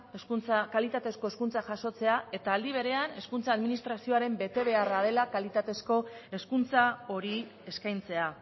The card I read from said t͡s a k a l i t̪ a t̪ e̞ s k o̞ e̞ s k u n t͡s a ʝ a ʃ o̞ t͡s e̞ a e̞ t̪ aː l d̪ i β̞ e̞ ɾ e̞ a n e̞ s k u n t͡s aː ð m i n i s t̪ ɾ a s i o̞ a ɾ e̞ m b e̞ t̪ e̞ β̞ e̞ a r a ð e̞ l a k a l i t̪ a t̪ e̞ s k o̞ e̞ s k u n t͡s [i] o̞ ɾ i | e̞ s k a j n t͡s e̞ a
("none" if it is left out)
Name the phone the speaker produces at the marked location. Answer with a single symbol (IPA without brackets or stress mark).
a